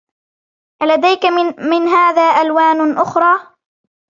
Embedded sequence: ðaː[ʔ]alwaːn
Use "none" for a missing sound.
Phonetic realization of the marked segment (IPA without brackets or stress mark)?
ʔ